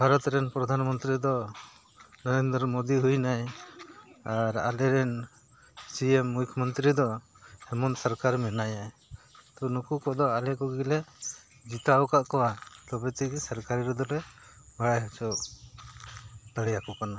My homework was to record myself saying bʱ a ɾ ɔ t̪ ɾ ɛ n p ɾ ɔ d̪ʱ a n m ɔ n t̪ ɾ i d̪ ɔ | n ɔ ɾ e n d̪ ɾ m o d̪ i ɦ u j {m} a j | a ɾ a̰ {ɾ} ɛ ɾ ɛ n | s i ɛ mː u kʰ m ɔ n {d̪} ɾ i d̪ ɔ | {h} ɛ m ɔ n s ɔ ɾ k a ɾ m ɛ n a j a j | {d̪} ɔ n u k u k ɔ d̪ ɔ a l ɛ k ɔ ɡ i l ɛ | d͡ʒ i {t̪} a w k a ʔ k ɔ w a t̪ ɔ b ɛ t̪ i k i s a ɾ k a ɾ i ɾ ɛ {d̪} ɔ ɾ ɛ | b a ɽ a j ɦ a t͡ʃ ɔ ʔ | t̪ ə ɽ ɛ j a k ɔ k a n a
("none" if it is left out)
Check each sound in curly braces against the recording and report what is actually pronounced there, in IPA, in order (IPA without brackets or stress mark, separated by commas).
n, l, t̪, h, t̪, t̪, d̪